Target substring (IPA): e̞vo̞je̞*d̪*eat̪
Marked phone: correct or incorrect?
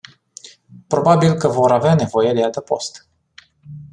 correct